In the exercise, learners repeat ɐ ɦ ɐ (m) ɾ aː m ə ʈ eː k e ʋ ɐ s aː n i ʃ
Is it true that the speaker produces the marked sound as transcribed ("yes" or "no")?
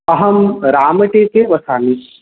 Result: yes